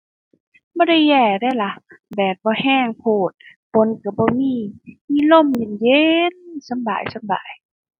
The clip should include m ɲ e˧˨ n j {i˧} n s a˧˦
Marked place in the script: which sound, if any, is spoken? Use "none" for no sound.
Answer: e˧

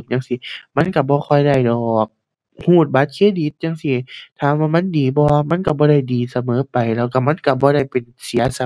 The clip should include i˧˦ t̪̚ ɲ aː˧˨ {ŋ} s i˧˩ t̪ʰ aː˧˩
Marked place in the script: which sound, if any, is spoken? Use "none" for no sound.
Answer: ŋ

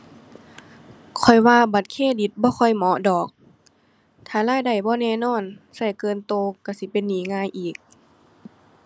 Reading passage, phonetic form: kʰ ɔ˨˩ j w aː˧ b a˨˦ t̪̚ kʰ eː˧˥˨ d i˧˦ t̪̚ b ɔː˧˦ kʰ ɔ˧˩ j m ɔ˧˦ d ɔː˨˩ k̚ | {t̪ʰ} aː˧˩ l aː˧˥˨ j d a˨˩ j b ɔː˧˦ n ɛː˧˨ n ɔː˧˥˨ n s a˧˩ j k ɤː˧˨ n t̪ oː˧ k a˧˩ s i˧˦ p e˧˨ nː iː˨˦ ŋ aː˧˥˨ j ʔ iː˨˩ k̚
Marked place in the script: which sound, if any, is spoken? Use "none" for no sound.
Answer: t̪ʰ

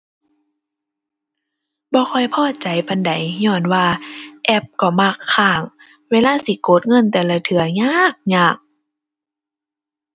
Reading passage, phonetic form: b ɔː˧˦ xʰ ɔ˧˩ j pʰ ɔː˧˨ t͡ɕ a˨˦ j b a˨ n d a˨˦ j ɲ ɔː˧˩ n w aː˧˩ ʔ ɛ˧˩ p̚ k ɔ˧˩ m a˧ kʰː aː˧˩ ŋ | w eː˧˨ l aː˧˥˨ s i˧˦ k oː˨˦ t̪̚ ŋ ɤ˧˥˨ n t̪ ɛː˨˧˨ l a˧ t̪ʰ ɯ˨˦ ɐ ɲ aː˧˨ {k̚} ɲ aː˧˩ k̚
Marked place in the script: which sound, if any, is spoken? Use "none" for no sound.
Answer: k̚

